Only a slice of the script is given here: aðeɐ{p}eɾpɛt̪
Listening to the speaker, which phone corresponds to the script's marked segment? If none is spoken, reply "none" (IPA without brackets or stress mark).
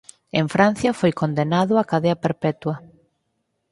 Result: p